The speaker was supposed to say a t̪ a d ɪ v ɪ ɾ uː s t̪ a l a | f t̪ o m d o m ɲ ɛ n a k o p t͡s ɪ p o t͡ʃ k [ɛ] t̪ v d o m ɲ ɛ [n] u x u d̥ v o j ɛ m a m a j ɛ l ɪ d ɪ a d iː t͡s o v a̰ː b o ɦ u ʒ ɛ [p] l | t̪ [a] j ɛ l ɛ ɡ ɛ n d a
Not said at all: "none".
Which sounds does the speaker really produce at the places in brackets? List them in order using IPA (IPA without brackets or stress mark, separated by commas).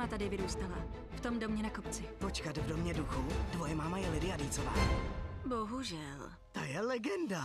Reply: a, d, none, a